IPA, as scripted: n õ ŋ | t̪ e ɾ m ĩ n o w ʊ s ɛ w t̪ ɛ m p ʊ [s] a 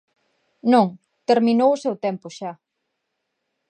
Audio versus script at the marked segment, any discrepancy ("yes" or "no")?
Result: yes